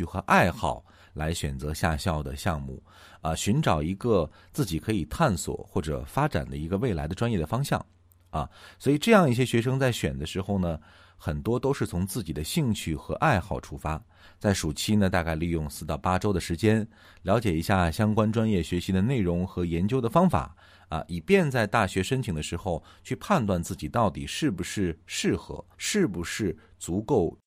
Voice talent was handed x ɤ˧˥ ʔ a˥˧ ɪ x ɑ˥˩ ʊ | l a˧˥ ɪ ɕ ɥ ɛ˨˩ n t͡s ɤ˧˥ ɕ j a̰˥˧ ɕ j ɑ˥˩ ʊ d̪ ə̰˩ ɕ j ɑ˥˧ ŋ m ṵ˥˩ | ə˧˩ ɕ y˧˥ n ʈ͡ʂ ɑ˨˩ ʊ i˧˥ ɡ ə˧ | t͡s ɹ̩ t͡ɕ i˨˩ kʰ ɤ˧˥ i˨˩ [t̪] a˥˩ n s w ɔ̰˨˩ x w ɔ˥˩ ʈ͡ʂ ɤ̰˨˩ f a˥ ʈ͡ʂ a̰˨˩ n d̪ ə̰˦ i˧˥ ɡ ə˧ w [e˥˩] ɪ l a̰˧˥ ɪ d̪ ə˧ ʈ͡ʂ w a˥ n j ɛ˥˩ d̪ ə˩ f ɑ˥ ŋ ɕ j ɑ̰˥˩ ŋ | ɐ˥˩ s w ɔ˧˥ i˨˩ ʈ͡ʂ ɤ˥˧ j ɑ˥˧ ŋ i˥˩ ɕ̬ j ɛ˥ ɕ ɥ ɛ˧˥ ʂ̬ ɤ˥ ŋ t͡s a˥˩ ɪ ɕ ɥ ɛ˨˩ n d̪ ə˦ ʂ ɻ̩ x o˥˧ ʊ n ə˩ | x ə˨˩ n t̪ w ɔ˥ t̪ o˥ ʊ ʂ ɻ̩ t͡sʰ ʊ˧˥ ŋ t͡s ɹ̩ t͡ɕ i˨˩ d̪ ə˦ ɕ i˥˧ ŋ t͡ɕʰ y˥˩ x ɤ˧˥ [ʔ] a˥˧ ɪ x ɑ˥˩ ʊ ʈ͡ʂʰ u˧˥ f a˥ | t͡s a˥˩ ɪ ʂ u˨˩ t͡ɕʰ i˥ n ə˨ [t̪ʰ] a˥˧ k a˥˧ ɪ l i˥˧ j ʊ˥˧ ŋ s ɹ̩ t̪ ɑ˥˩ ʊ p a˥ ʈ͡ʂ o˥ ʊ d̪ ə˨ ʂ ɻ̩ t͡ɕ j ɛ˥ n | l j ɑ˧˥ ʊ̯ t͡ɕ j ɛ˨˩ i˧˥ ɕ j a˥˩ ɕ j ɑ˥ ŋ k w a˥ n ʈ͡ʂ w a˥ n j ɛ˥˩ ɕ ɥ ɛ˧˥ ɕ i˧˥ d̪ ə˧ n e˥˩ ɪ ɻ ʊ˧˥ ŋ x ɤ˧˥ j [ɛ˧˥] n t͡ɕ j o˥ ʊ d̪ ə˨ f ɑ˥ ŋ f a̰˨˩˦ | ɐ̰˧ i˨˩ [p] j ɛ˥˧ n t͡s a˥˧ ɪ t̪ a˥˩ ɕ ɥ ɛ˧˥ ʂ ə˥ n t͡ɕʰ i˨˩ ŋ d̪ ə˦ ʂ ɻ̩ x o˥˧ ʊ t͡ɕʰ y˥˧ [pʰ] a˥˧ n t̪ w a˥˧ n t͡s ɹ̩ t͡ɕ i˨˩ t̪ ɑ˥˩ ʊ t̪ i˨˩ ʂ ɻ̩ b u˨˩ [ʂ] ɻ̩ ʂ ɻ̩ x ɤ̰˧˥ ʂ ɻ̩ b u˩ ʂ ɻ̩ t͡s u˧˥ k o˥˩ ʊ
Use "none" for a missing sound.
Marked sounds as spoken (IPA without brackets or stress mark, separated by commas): t̪ʰ, e˥˩, ʔ, t̪, ɛ˧˥, p, pʰ, ʂ